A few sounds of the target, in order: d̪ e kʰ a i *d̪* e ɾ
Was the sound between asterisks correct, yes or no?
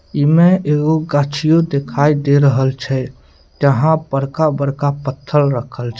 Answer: yes